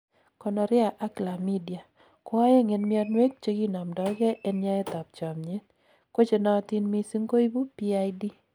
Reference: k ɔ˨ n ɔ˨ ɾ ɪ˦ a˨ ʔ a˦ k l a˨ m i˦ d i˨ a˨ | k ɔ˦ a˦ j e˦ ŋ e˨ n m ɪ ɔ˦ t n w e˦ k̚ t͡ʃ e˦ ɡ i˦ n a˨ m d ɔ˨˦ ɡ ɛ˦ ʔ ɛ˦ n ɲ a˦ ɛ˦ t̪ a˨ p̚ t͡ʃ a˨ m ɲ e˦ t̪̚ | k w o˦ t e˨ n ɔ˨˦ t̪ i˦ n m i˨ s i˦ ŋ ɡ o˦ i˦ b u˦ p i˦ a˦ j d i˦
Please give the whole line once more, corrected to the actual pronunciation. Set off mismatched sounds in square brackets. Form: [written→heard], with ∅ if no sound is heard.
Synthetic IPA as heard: k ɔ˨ n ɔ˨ ɾ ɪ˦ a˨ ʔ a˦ k l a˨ m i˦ d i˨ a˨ | k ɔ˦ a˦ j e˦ ŋ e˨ n m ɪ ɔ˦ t n w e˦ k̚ t͡ʃ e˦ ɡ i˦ n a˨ m d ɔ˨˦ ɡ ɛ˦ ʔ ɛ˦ n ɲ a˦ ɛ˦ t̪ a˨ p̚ t͡ʃ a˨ m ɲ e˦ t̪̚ | k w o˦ [t→t͡ʃ] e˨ n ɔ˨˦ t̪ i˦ n m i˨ s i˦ ŋ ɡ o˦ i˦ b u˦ p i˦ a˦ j d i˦